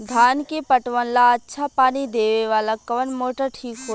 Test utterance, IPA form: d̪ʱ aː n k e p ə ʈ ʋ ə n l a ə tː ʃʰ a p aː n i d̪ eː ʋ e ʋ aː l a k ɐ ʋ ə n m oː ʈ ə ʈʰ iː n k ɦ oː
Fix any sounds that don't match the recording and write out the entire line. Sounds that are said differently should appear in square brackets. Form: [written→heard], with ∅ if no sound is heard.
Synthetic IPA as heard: d̪ʱ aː n k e p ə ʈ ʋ ə n l a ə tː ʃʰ a p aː n i d̪ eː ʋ e ʋ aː l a k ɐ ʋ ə n m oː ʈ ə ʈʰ iː [n→∅] k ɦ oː